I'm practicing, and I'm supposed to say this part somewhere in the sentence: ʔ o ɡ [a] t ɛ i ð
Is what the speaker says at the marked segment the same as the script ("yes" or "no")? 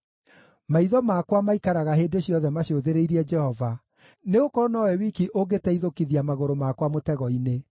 no